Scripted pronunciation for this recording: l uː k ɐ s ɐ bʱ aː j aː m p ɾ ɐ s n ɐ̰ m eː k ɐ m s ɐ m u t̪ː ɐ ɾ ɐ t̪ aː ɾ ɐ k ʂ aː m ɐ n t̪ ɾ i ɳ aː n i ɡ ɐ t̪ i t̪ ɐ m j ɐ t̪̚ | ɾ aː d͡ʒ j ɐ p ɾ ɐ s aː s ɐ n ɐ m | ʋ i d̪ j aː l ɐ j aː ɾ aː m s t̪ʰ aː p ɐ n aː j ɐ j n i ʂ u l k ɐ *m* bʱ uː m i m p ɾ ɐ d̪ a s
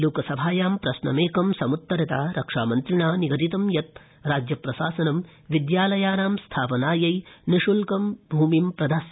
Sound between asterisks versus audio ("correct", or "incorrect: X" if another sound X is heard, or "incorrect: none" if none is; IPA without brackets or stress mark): correct